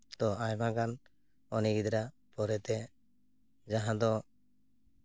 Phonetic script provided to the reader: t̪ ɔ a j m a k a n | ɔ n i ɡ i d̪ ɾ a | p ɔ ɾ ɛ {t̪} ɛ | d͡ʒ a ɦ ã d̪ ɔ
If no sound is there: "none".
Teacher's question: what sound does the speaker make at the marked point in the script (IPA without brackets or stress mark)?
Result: t̪